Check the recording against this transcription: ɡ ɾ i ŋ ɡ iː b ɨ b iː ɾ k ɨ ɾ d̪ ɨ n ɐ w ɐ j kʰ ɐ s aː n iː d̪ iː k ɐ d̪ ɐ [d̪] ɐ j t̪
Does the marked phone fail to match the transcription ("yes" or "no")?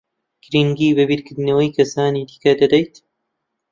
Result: no